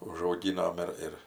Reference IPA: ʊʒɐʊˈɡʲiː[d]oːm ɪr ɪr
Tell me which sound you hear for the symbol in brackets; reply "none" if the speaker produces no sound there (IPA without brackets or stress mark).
n